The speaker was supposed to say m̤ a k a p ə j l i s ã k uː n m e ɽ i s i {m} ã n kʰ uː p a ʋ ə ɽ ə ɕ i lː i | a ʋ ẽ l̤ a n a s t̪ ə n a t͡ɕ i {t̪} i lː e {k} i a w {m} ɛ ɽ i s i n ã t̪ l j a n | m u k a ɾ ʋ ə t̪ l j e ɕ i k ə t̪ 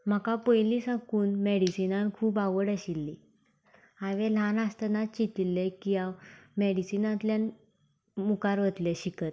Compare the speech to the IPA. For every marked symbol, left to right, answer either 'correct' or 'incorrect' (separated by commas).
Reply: incorrect, correct, correct, correct